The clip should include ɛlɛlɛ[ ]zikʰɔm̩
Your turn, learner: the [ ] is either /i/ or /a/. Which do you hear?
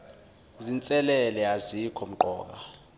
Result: a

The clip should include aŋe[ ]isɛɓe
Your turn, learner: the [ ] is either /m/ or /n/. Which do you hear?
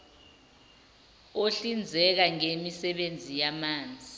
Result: m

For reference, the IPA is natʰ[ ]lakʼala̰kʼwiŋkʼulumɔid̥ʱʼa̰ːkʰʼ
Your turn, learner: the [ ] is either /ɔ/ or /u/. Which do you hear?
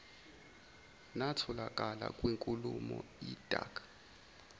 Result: ɔ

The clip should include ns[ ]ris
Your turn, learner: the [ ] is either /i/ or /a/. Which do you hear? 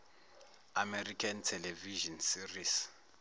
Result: i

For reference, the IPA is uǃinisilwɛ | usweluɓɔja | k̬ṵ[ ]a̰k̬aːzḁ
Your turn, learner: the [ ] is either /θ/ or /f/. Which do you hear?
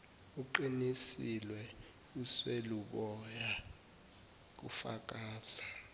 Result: f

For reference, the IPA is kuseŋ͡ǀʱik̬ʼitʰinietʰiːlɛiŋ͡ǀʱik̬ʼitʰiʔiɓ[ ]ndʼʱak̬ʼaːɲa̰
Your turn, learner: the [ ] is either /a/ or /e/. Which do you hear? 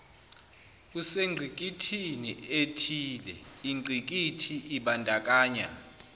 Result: a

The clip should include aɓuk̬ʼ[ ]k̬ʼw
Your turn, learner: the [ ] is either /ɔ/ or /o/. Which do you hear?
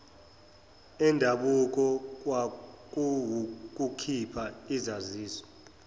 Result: ɔ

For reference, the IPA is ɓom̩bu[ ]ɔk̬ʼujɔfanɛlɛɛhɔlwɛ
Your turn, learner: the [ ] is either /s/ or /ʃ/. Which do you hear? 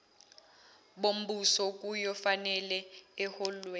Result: s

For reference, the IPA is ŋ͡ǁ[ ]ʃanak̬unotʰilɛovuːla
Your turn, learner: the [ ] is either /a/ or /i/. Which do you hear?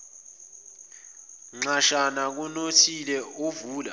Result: a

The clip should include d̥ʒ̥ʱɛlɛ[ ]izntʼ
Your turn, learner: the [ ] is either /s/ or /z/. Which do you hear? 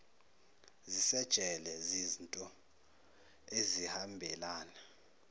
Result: z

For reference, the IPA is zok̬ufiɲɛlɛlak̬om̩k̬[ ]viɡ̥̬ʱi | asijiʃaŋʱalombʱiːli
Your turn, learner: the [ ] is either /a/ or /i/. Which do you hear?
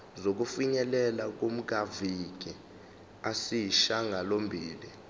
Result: a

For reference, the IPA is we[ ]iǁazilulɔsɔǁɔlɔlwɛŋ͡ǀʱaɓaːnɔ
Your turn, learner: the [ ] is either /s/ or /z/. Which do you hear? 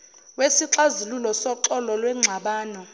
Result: s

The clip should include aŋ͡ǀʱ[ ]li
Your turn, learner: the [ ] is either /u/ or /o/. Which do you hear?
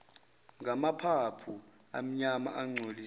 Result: o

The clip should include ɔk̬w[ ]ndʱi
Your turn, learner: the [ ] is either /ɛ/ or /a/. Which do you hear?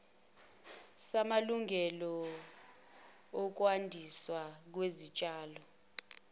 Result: a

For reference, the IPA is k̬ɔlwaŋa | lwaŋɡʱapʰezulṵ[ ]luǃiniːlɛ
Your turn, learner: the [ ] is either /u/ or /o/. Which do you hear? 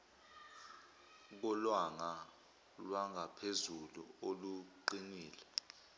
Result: o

